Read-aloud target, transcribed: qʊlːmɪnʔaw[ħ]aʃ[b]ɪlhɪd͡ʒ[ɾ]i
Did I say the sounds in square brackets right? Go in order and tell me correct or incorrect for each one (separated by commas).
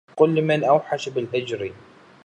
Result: correct, correct, correct